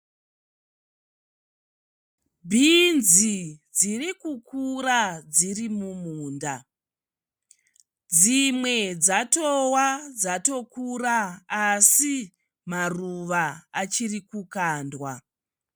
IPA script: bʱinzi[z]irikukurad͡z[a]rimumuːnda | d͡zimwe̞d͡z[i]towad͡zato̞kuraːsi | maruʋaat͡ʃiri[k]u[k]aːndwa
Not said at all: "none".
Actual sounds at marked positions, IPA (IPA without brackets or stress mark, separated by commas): d͡z, i, a, k, k